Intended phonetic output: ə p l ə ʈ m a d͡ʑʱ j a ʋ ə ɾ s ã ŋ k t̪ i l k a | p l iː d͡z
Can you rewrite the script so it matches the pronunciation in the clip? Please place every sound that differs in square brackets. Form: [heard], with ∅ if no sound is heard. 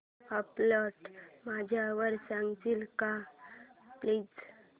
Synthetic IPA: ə p l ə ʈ m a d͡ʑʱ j a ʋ ə ɾ s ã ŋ [ɡ] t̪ i l k a | p l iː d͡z

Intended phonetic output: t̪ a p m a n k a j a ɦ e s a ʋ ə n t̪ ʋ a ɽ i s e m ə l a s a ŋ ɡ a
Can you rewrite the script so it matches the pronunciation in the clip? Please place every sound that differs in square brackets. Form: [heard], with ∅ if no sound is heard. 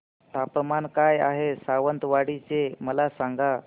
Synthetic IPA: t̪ a p m a n k a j a ɦ e s a ʋ ə n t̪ ʋ a ɽ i [t͡s] e m ə l a s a ŋ ɡ a

